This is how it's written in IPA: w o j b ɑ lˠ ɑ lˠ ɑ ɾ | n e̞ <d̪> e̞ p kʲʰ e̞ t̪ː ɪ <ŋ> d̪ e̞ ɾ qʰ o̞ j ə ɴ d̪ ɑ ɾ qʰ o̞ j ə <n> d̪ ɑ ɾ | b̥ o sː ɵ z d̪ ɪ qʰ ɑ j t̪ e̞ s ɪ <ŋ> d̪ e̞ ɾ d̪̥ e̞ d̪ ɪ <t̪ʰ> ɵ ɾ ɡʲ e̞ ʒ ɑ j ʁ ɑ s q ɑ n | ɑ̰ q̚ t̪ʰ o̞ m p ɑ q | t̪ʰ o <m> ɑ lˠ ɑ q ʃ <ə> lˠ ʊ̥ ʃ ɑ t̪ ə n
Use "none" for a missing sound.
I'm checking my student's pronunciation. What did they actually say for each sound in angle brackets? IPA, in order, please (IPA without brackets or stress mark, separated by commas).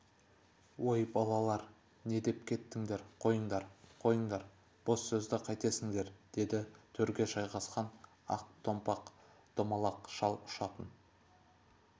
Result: d̪, ŋ, ɴ, ŋ, t̪ʰ, m, ɑ